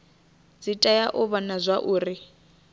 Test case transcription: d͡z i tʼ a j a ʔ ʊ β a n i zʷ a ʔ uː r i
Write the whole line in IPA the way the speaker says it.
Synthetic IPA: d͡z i tʼ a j a ʔ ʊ β a n a zʷ a ʔ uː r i